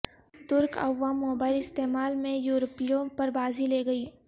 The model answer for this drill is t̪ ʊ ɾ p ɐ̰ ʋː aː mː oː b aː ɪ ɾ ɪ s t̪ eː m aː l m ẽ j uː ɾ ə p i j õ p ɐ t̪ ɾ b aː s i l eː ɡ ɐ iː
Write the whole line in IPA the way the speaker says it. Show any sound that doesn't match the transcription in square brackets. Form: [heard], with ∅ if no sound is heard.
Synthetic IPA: t̪ ʊ ɾ [k] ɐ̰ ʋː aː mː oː b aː ɪ [l] ɪ s t̪ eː m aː l m ẽ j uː ɾ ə p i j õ p ɐ [∅] ɾ b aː [z] i l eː ɡ ɐ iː